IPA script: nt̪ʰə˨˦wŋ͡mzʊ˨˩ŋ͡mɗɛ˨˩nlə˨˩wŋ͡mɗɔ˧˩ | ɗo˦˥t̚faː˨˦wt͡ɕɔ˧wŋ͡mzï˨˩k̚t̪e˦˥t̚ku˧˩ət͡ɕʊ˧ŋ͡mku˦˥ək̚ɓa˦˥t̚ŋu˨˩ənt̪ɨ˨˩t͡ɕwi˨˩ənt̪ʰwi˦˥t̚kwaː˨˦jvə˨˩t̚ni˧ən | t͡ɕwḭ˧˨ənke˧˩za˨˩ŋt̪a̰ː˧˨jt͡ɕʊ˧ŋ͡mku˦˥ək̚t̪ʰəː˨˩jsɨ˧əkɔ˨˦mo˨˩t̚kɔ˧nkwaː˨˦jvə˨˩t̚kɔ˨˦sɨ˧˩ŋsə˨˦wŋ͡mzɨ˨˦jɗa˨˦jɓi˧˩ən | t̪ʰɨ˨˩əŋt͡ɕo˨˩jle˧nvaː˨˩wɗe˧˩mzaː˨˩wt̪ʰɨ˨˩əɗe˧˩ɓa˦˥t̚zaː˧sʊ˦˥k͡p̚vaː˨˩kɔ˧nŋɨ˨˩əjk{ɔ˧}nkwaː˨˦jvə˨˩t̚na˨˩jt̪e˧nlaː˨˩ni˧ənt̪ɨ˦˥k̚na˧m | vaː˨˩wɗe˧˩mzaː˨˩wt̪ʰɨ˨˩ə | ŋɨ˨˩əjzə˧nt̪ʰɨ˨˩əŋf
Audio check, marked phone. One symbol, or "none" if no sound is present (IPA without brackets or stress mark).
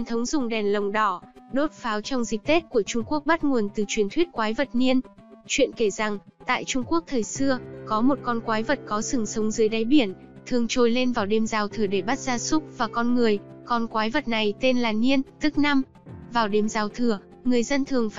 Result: ɔ˧